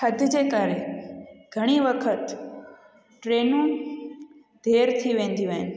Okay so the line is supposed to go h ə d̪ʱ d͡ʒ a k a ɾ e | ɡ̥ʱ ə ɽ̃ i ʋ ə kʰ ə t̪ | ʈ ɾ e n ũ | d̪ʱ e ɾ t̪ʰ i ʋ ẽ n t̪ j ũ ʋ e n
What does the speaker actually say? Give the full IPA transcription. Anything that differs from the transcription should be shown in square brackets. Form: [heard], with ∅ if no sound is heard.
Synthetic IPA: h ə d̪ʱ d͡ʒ [e] k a ɾ e | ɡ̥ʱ ə ɽ̃ i ʋ ə kʰ ə t̪ | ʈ ɾ e n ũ | d̪ʱ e ɾ t̪ʰ i ʋ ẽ n [d̪] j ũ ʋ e n